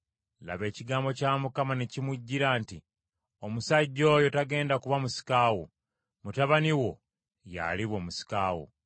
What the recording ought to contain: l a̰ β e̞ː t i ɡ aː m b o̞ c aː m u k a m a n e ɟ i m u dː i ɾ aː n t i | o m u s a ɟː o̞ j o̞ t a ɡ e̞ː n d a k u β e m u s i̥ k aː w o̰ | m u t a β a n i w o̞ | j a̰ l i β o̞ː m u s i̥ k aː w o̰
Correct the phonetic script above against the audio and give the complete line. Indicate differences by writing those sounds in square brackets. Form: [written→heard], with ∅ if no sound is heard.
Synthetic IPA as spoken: l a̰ β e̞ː [t→c] i ɡ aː m b o̞ c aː m u k a m a n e [ɟ→c] i m u [dː→ɟː] i ɾ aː n t i | o m u s a ɟː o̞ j o̞ t a ɡ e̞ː n d a k u β [e→a] m u s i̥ k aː w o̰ | m u t a β a n i w o̞ | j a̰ l i β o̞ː m u s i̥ k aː w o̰

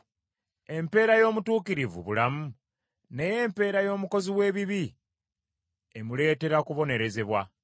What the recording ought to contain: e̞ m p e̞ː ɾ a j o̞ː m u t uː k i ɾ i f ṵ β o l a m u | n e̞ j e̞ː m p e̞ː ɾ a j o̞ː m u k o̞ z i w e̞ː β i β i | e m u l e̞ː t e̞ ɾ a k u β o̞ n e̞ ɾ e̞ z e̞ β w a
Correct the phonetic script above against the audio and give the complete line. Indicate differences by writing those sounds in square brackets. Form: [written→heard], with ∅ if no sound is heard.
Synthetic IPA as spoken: e̞ m p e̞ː ɾ a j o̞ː m u t uː k i ɾ i [f→v] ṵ β [o→u] l a m u | n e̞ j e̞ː m p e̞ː ɾ a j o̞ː m u k o̞ z i w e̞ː β i β i | e m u l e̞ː t e̞ ɾ a k u β o̞ n e̞ ɾ e̞ z e̞ β w a

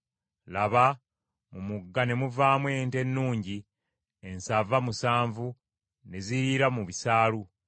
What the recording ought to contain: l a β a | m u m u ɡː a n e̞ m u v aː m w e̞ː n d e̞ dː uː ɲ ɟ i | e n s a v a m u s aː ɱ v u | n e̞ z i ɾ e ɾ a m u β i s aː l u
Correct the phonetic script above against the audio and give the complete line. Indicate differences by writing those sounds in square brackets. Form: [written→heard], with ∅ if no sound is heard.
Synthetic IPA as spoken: l a β a | m u m u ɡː a n e̞ m u v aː m w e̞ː n [d→t] e̞ [dː→nː] uː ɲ ɟ i | e n s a v a m u s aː ɱ v u | n e̞ z i ɾ [e→i] ɾ a m u β i s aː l u

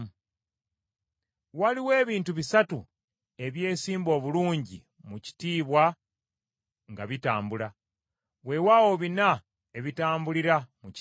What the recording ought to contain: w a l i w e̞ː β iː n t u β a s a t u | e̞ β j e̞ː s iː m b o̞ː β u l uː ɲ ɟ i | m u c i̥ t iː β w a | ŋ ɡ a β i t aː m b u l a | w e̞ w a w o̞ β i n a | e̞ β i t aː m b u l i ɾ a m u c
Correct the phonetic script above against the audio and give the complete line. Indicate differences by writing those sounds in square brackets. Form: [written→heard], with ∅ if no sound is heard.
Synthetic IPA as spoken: w a l i w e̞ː β iː n t u β [a→i] s a t u | e̞ β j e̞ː s iː m b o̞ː β u l uː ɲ ɟ i | m u c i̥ t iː β w a | ŋ ɡ a β i t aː m b u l a | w e̞ w a w o̞ β i n a | e̞ β i t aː m b u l i ɾ a m u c

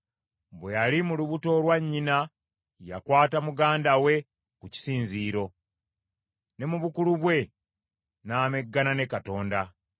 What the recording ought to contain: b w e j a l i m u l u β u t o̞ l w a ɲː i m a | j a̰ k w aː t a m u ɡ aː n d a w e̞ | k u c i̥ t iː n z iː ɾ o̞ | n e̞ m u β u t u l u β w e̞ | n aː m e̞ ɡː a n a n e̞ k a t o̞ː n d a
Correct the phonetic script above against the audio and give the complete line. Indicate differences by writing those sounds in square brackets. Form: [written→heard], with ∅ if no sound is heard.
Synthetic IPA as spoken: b w e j a l i m u l u β u t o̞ l w a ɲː i [m→n] a | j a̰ k w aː t a m u ɡ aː n d a w e̞ | k u c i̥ [t→s] iː n z iː ɾ o̞ | n e̞ m u β u [t→k] u l u β w e̞ | n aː m e̞ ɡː a n a n e̞ k a t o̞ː n d a

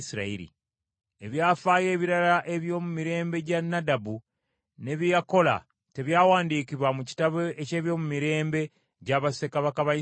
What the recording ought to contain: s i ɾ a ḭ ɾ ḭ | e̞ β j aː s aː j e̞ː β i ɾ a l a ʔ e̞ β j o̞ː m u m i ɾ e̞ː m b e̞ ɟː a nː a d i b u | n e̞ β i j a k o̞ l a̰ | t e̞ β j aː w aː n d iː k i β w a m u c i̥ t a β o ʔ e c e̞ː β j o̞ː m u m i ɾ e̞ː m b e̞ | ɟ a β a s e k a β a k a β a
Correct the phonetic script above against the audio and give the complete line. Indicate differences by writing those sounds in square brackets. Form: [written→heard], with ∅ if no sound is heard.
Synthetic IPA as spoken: s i ɾ a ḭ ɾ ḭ | e̞ β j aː [s→f] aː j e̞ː β i ɾ a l a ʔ e̞ β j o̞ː m u m i ɾ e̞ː m b e̞ [ɟː→ɟ] a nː a d [i→a] b u | n e̞ β i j a k o̞ l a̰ | t e̞ β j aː w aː n d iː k i β w a m u c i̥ t a β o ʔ e c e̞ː β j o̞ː m u m i ɾ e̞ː m b e̞ | ɟ a β a s e k a β a k a β a

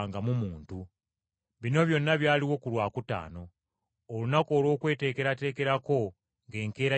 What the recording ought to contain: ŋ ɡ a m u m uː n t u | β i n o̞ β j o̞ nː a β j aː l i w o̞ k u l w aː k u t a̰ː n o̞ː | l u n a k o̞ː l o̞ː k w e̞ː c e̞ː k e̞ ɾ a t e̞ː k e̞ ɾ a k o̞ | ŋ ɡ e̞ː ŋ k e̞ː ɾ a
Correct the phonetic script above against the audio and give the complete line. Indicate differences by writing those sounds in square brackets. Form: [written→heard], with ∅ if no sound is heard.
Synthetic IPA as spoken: ŋ ɡ a m u m uː n t u | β i n o̞ β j o̞ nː a β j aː l i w o̞ k u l w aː k u t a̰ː n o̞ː | l u n a k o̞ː l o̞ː k w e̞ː [c→t] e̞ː k e̞ ɾ a t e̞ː k e̞ ɾ a k o̞ | ŋ ɡ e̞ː ŋ k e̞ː ɾ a

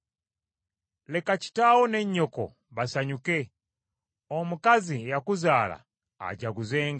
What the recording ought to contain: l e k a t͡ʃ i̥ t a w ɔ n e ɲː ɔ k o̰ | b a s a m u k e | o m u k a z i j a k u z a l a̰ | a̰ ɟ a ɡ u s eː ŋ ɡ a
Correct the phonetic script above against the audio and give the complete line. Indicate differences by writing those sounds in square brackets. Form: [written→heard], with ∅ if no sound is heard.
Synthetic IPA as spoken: l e k a t͡ʃ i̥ t a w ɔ n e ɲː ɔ k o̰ | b a s a [m→ɲ] u k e | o m u k a z i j a k u z a l a̰ | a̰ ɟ a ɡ u [s→z] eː ŋ ɡ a

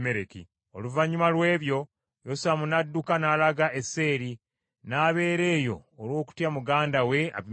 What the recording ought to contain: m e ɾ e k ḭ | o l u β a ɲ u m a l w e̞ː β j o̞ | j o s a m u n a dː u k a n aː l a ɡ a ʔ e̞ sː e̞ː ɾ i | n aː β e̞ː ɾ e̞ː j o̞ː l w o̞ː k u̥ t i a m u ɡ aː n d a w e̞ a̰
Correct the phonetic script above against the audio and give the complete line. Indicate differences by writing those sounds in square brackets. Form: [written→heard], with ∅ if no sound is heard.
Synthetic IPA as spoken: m e ɾ e k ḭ | o l u [β→v] a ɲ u m a l w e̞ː β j o̞ | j o s a m u n a dː u k a n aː l a ɡ a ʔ e̞ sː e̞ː ɾ i | n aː β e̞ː ɾ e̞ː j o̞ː l w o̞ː k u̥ t [i→j] a m u ɡ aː n d a w e̞ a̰

